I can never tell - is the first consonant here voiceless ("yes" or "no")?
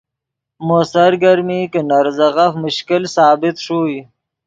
no